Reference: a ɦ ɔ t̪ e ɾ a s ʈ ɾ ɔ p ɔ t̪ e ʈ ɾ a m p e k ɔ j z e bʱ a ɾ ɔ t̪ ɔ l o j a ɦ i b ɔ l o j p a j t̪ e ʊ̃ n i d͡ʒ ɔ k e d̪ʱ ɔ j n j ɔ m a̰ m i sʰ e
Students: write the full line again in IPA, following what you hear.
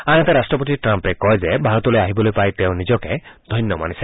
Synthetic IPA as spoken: a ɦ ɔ t̪ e ɾ a s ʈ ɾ ɔ p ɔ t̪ i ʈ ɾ a m p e k ɔ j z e bʱ a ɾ ɔ t̪ ɔ l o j a ɦ i b ɔ l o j p a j t̪ e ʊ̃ n i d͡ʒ ɔ k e d̪ʱ ɔ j n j ɔ m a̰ n i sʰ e